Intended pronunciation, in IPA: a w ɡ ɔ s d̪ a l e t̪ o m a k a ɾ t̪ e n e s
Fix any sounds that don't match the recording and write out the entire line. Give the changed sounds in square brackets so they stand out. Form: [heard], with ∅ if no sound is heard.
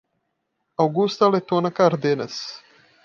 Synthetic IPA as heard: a w ɡ [u] s [t̪] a l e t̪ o [n] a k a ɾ [d̪] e n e s

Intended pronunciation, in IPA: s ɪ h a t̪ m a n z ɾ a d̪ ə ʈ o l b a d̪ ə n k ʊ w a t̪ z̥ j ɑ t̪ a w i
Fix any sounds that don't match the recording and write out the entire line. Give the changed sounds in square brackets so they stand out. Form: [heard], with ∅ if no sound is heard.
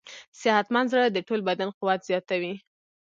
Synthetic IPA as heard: s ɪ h a t̪ m a n z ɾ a d̪ ə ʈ o l b a d̪ [a] n [q] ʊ w a t̪ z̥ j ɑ t̪ a w i

